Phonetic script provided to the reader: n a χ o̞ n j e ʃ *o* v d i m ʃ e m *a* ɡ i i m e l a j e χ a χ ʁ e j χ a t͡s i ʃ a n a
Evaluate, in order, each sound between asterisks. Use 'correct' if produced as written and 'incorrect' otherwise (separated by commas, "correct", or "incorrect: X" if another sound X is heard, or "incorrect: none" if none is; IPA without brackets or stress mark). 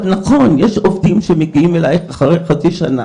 correct, incorrect: e